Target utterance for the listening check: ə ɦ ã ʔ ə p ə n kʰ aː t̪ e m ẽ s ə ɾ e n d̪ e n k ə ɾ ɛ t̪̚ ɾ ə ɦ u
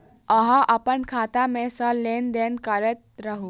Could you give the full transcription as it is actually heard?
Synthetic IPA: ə ɦ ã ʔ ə p ə n kʰ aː t̪ a m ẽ s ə l e n d̪ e n k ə ɾ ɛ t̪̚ ɾ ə ɦ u